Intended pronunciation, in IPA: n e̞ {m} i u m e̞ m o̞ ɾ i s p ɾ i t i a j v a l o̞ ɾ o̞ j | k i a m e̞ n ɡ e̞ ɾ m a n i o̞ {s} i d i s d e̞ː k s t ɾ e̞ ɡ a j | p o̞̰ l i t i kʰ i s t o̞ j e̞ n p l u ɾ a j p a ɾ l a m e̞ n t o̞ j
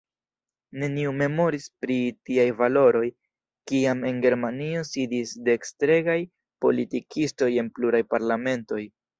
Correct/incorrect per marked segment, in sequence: incorrect: n, correct

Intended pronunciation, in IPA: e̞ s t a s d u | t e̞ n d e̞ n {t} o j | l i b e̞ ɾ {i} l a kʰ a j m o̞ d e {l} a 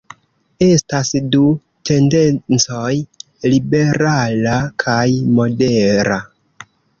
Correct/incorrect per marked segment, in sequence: incorrect: t͡s, incorrect: a, incorrect: ɾ

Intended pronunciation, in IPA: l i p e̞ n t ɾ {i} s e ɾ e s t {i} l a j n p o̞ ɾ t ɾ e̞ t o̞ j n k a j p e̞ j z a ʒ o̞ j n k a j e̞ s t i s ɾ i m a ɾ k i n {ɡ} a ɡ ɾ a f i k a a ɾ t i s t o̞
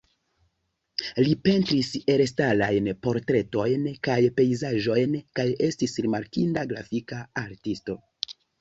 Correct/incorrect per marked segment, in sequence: correct, incorrect: a, incorrect: d

